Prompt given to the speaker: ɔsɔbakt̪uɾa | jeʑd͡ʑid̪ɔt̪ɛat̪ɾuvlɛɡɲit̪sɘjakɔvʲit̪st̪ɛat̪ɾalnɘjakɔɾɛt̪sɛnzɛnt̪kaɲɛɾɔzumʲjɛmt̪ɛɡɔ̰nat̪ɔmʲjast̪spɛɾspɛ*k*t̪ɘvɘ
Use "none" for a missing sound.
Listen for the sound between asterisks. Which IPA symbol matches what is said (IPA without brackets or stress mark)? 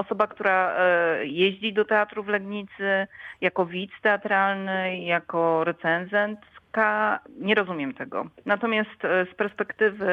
k